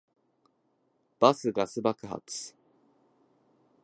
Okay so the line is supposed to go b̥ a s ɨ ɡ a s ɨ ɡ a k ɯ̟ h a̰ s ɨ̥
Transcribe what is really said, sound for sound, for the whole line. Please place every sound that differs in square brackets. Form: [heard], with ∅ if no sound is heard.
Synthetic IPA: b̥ a s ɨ ɡ a s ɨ [b] a k ɯ̟ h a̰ [t͡s] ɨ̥